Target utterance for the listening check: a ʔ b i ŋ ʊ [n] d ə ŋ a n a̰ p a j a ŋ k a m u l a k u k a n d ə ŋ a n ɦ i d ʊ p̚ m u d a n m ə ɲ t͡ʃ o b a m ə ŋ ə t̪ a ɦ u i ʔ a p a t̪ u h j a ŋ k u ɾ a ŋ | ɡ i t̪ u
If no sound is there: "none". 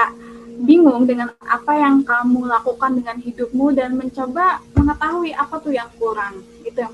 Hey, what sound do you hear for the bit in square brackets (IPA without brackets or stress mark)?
ŋ